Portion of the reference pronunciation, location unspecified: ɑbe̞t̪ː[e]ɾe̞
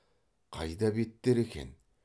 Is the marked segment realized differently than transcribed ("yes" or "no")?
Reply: no